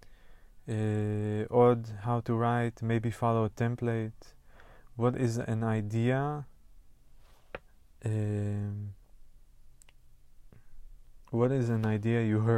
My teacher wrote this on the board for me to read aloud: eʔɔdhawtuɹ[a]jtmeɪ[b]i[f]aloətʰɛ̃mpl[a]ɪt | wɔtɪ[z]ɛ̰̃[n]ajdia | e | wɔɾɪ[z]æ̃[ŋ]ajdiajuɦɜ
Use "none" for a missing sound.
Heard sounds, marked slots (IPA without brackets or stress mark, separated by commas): a, b, f, e, z, n, z, n